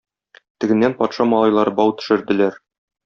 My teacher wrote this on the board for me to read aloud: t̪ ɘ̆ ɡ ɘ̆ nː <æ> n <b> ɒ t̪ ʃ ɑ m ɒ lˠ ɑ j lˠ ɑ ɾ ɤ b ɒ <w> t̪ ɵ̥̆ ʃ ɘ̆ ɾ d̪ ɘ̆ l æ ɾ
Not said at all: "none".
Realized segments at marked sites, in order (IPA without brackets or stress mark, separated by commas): æ, p, w